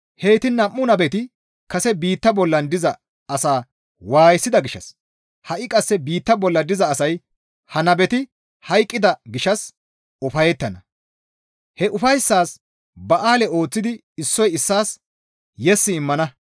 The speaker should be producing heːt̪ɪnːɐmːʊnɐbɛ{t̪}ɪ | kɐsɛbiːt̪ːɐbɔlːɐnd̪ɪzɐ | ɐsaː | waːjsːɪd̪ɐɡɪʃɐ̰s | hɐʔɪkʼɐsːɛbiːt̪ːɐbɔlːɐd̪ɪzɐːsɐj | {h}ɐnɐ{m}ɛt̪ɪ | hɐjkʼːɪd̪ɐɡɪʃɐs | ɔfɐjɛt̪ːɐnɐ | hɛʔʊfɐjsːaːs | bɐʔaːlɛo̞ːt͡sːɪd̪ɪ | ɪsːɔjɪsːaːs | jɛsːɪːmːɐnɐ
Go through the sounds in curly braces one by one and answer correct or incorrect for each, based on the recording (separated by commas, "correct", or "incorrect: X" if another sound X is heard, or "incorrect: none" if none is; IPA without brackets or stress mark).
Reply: correct, correct, incorrect: b